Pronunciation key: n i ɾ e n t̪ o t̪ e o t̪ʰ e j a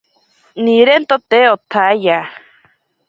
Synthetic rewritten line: n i ɾ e n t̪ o t̪ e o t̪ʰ a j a